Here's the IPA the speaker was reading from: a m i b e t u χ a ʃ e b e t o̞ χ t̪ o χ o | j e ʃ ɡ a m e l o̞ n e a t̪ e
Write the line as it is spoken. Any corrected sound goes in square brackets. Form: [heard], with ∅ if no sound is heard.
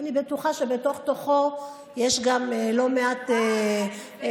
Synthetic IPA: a [n] i b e t u χ a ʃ e b e t o̞ χ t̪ o χ o | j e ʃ ɡ a m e l o̞ [m] e a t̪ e